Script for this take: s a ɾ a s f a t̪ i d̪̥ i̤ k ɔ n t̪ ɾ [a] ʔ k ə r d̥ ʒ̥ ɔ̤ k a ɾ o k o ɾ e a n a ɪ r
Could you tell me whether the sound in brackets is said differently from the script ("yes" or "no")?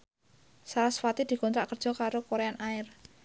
no